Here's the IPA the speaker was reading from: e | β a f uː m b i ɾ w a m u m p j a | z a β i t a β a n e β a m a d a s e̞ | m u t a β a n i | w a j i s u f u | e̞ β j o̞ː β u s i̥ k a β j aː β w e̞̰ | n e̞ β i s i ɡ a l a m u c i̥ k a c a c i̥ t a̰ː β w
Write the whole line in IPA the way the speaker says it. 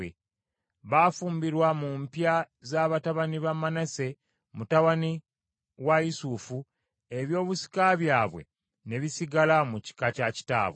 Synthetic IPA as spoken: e | β a f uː m b i ɾ w a m u m p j a | z a β a t a β a n i β a m a n a s e̞ | m u t a β a n i | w a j i s u f u | e̞ β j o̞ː β u s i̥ k a β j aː β w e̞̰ | n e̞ β i s i ɡ a l a m u c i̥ k a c a c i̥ t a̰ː β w